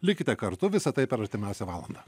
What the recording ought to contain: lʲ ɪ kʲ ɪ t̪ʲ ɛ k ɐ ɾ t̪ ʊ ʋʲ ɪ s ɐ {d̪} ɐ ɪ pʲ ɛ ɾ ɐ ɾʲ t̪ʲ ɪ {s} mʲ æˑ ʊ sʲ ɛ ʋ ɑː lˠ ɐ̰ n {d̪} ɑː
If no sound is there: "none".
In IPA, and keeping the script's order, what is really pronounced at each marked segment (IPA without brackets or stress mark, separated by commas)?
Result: t̪, none, d̪